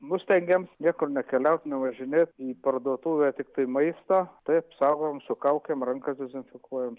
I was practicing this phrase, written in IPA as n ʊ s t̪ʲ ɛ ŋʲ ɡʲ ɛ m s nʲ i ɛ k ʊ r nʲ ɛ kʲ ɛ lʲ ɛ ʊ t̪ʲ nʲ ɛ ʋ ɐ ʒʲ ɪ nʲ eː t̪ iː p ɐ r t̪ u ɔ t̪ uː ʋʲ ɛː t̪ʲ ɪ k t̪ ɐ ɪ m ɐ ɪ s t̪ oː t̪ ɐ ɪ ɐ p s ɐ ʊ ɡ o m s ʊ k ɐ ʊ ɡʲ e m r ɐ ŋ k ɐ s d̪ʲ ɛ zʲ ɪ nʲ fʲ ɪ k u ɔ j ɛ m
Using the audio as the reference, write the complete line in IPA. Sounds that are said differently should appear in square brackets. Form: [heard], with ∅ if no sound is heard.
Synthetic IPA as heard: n ʊ s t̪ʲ ɛ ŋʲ ɡʲ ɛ m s nʲ i ɛ k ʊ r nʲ ɛ kʲ ɛ lʲ ɛ ʊ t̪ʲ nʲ ɛ ʋ ɐ ʒʲ ɪ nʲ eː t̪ iː p ɐ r [d̪] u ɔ t̪ uː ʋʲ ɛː t̪ʲ ɪ k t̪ ɐ ɪ m ɐ ɪ s t̪ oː t̪ ɐ ɪ ɐ p s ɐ ʊ ɡ o m s ʊ k ɐ ʊ [kʲ] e m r ɐ ŋ k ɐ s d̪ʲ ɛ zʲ ɪ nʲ fʲ ɪ k u ɔ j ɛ m